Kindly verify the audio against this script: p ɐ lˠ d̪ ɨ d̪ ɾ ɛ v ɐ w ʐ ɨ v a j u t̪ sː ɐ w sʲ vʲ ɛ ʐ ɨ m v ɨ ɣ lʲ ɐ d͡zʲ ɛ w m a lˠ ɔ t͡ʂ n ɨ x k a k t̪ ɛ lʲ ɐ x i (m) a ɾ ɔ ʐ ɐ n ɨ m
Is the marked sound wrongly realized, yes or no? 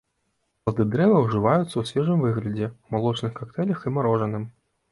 no